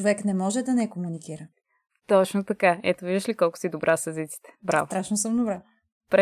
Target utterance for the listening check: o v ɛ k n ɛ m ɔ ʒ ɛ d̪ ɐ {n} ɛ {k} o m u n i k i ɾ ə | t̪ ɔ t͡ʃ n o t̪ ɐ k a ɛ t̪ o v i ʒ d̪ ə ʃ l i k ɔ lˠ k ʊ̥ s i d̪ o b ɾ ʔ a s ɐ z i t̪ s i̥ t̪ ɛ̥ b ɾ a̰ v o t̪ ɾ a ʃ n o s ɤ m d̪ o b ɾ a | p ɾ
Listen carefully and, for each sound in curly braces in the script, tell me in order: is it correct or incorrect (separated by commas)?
correct, correct